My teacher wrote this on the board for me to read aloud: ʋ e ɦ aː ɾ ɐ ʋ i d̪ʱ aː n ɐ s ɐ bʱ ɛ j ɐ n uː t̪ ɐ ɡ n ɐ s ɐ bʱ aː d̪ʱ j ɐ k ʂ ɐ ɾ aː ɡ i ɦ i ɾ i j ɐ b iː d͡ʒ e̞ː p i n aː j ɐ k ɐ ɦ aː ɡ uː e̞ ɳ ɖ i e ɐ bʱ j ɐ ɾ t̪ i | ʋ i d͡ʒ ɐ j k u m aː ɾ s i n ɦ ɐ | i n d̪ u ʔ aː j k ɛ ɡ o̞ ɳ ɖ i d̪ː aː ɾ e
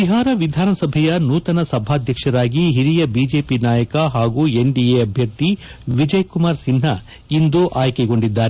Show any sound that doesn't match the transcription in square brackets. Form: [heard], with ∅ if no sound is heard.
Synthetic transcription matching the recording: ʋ [i] ɦ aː ɾ ɐ ʋ i d̪ʱ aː n ɐ s ɐ bʱ ɛ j ɐ n uː t̪ ɐ [∅] n ɐ s ɐ bʱ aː d̪ʱ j ɐ k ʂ ɐ ɾ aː ɡ i ɦ i ɾ i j ɐ b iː d͡ʒ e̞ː p i n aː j ɐ k ɐ ɦ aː ɡ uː e̞ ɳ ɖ i e ɐ bʱ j ɐ ɾ t̪ i | ʋ i d͡ʒ ɐ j k u m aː ɾ s i n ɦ ɐ | i n d̪ u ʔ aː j k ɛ ɡ o̞ ɳ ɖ i d̪ː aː ɾ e